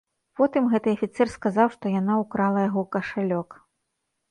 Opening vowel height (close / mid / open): mid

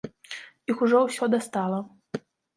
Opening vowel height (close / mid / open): close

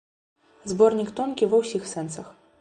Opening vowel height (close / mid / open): mid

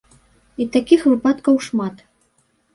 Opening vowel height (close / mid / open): close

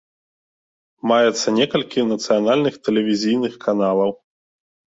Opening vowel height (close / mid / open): open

